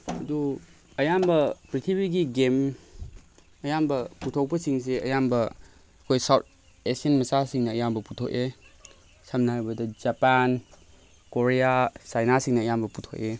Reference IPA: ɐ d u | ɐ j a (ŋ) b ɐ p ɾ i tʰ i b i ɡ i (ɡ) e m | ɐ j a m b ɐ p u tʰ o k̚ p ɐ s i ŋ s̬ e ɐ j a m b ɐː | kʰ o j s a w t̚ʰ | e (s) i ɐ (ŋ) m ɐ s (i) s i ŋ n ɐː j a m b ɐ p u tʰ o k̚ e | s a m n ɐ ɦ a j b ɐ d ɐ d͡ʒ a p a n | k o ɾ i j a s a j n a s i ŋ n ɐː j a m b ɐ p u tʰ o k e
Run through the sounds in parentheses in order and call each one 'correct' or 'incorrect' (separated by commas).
incorrect, correct, correct, incorrect, incorrect